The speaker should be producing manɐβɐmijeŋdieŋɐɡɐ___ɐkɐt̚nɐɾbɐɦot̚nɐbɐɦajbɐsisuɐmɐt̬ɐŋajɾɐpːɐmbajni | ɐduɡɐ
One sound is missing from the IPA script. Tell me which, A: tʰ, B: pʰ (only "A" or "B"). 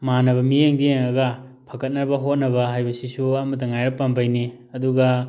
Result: B